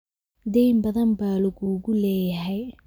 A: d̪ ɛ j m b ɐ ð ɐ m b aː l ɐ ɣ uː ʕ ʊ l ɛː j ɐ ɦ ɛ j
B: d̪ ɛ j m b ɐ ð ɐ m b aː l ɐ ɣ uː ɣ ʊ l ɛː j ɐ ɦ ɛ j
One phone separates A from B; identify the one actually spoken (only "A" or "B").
B